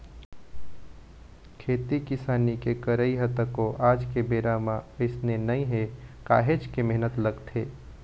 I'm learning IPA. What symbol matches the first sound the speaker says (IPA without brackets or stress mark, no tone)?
kʰ